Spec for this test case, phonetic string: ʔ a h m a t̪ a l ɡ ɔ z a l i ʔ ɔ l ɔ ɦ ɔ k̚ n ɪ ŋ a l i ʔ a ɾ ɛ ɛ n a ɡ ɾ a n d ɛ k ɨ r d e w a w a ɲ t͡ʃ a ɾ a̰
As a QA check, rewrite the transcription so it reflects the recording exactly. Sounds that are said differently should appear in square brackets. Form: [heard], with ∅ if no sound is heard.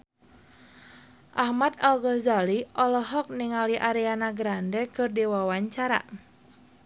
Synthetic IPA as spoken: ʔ a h m a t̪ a l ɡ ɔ z a l i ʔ ɔ l ɔ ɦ ɔ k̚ n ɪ ŋ a l i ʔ a ɾ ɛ [a] n a ɡ ɾ a n d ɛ k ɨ r d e w a w a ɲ t͡ʃ a ɾ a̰

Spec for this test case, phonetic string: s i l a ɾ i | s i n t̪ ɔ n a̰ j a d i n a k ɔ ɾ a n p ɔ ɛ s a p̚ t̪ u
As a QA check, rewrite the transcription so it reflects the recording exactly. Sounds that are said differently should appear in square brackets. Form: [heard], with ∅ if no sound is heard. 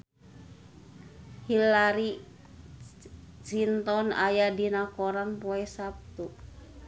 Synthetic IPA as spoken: [h] i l a ɾ i | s i n t̪ ɔ n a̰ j a d i n a k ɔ ɾ a n p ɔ ɛ s a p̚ t̪ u

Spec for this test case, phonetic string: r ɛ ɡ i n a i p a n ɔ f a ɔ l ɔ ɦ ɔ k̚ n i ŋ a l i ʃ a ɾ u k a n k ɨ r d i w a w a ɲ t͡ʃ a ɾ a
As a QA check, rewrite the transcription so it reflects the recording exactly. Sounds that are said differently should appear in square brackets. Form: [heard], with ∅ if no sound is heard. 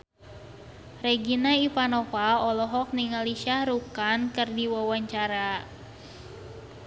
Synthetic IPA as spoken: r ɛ ɡ i n a i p a n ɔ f a ɔ l ɔ ɦ ɔ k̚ n i ŋ a l i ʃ a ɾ u k a n k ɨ r d i w a w a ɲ t͡ʃ a ɾ a

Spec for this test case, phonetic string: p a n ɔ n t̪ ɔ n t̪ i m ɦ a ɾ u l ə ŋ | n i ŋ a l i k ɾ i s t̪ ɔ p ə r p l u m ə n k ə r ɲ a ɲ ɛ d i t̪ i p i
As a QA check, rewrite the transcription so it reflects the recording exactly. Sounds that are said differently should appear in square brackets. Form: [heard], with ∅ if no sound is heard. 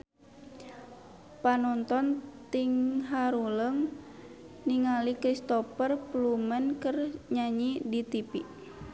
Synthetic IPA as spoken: p a n ɔ n t̪ ɔ n t̪ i [ŋ] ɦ a ɾ u l ə ŋ | n i ŋ a l i k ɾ i s t̪ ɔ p ə r p l u m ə n k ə r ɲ a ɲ [i] d i t̪ i p i

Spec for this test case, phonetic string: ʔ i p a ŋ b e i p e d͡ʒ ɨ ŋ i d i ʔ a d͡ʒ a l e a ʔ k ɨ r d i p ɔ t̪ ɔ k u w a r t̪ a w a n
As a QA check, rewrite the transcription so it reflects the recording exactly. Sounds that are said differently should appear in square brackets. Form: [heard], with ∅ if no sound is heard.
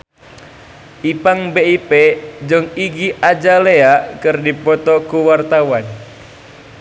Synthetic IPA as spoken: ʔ i p a ŋ b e i p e d͡ʒ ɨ ŋ i [ɡ] i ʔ a d͡ʒ a l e a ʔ k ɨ r d i p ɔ t̪ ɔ k u w a r t̪ a w a n

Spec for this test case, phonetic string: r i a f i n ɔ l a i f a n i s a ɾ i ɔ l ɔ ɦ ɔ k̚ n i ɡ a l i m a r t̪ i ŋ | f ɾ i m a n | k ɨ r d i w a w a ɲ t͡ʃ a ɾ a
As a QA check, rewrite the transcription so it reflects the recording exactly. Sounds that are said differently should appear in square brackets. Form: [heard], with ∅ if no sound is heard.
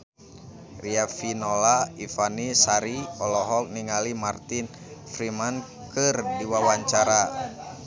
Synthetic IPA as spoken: r i a f i n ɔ l a i f a n i s a ɾ i ɔ l ɔ ɦ ɔ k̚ n i [ŋ] a l i m a r t̪ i [n] | f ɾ i m a n | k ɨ r d i w a w a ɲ t͡ʃ a ɾ a

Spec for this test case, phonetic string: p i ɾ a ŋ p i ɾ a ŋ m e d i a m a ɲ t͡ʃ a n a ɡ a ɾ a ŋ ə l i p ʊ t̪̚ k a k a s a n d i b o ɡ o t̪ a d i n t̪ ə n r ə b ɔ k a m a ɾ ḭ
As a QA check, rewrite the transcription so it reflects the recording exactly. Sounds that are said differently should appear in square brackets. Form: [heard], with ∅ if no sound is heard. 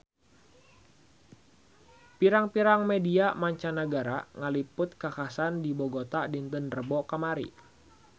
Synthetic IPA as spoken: p i ɾ a ŋ p i ɾ a ŋ m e d i a m a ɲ t͡ʃ a n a ɡ a ɾ a ŋ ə l i p ʊ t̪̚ k a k a s a n d i b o ɡ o t̪ a d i n t̪ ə n r ə b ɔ k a m a ɾ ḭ

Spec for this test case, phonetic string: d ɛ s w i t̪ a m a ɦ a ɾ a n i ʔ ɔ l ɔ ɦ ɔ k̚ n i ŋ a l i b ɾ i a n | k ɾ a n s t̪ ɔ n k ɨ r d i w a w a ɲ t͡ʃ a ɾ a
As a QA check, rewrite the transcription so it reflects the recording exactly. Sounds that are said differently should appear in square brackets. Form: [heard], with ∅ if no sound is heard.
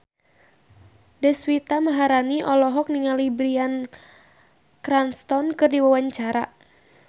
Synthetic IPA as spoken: d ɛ s w i t̪ a m a ɦ a ɾ a n i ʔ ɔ l ɔ ɦ ɔ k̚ n i ŋ a l i b ɾ i a n | k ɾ a n s t̪ ɔ n k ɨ r d i w a w a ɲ t͡ʃ a ɾ a

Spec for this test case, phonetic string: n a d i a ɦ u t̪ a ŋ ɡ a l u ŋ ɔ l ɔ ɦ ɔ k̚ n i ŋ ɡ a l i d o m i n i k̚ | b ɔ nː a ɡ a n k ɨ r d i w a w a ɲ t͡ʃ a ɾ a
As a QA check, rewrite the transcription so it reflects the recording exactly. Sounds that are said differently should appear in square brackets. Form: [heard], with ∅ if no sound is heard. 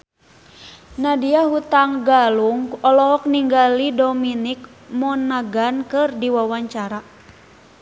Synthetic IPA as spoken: n a d i a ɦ u t̪ a ŋ ɡ a l u ŋ ɔ l ɔ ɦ ɔ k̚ n i ŋ ɡ a l i d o m i n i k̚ | [m] ɔ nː a ɡ a n k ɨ r d i w a w a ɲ t͡ʃ a ɾ a

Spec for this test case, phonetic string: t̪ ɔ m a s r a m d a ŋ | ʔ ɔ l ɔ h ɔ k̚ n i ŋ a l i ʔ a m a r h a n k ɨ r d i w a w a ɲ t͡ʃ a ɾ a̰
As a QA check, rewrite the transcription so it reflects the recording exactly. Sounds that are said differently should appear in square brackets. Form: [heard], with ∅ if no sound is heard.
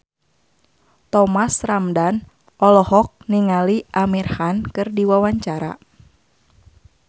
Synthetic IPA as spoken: t̪ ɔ m a s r a m d a [n] | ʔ ɔ l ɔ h ɔ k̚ n i ŋ a l i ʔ a m [i] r h a n k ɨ r d i w a w a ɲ t͡ʃ a ɾ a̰

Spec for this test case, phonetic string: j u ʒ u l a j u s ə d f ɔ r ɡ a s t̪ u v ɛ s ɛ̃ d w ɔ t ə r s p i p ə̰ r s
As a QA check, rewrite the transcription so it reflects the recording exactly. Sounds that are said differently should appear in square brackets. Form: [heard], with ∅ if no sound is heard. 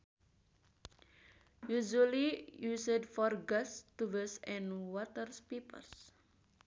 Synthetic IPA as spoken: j u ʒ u l [i] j u s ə d f ɔ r ɡ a s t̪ u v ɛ s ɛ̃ [n] w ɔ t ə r s p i p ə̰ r s

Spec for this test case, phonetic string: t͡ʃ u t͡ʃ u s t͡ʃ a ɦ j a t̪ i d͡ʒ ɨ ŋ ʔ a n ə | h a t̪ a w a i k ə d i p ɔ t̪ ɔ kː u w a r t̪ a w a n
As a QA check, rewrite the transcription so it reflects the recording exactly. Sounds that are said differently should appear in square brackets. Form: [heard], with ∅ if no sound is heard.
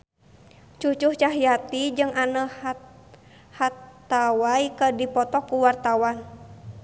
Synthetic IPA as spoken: t͡ʃ u t͡ʃ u [h] t͡ʃ a ɦ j a t̪ i d͡ʒ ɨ ŋ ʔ a n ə | h a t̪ a w a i k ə d i p ɔ t̪ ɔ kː u w a r t̪ a w a n

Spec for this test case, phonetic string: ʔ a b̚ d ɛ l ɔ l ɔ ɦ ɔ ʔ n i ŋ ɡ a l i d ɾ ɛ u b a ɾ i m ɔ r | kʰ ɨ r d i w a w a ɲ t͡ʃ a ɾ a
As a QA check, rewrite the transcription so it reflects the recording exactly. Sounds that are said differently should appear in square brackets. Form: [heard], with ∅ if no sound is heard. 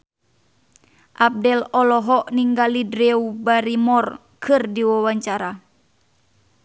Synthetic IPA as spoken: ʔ a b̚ d ɛ l ɔ l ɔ ɦ ɔ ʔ n i ŋ ɡ a l i d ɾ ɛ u b a ɾ i m ɔ r | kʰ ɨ r d i w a w a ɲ t͡ʃ a ɾ a

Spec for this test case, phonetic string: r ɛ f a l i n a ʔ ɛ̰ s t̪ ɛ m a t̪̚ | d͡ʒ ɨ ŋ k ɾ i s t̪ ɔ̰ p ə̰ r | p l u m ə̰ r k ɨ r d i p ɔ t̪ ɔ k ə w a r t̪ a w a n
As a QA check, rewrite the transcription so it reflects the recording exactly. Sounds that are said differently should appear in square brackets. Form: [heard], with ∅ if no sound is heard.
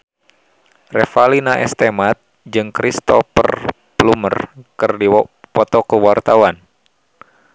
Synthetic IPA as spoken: r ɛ f a l i n a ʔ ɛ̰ s t̪ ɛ m a t̪̚ | d͡ʒ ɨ ŋ k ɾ i s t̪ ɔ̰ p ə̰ r | p l u m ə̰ r k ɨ r d i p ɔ t̪ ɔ k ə w a r t̪ a w a n

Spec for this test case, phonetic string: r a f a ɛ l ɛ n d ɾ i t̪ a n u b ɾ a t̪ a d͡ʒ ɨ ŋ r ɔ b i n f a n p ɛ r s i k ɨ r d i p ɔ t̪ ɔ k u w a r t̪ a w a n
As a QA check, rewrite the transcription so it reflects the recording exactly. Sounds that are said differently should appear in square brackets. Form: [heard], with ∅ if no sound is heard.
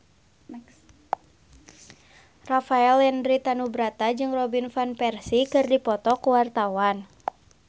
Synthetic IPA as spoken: r a f a ɛ l ɛ n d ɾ i t̪ a n u b ɾ a t̪ a d͡ʒ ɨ ŋ r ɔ b i n f a n p ɛ r s i k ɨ r d i p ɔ t̪ ɔ k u w a r t̪ a w a n

